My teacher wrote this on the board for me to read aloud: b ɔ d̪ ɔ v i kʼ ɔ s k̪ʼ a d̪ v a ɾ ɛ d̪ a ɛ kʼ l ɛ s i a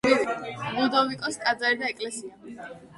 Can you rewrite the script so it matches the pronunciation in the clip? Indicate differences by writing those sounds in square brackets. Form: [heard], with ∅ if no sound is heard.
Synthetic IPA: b [u] d̪ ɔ v i kʼ ɔ s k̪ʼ a d̪ [z] a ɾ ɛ d̪ a ɛ kʼ l ɛ s i a